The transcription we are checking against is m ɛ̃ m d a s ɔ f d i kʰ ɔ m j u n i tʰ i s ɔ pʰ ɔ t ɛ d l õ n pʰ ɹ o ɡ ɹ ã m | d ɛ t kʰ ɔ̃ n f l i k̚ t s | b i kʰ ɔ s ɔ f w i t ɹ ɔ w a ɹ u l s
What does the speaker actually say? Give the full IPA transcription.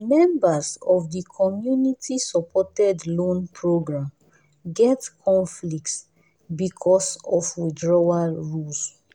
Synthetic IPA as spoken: m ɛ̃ m b a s ɔ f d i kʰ ɔ m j u n i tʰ i s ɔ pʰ ɔ t ɛ d l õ n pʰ ɹ o ɡ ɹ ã m | ɡ ɛ t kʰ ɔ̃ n f l i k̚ t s | b i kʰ ɔ s ɔ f w i d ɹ ɔ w a ɹ u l s

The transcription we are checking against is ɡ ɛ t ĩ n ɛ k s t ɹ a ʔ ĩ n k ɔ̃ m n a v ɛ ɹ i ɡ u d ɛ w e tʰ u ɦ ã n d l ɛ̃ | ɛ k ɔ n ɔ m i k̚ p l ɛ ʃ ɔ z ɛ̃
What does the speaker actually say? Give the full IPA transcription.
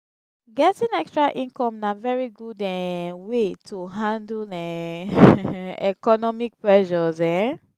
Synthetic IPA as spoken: ɡ ɛ t ĩ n ɛ k s t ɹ a ʔ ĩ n k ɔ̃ m n a v ɛ ɹ i ɡ u d ɛ w e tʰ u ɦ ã n d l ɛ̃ | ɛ k ɔ n ɔ m i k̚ p ɹ ɛ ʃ ɔ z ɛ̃

